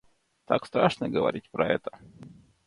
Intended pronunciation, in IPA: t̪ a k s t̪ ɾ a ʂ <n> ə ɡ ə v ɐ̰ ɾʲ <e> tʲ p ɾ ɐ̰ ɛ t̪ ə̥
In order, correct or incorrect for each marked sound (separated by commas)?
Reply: correct, incorrect